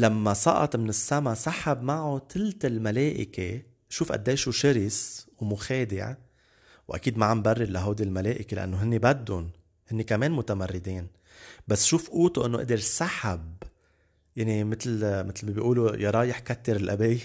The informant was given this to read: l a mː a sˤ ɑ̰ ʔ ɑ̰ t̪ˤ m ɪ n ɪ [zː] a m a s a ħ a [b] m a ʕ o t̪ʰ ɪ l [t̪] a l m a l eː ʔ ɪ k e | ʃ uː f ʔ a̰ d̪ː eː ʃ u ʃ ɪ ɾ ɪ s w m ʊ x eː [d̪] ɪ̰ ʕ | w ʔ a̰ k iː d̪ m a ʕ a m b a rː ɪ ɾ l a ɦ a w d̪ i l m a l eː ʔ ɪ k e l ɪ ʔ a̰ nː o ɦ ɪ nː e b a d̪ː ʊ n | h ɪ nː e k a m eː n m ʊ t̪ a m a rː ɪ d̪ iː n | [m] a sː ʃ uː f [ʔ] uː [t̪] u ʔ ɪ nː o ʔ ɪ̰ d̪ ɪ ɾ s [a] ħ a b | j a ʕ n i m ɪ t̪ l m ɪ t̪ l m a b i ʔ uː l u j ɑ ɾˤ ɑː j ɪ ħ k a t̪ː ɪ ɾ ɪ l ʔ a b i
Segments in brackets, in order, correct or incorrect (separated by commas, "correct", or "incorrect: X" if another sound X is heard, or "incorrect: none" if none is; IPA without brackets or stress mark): incorrect: sː, correct, correct, correct, incorrect: b, correct, correct, correct